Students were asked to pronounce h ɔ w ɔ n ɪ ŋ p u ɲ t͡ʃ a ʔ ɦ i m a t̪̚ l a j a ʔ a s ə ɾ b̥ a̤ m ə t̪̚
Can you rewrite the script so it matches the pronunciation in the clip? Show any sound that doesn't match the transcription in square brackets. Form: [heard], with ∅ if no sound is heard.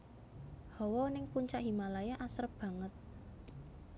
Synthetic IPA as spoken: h ɔ w ɔ n ɪ ŋ p u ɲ t͡ʃ a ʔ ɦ i m a [∅] l a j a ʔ a s ə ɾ b̥ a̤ [ŋ] ə t̪̚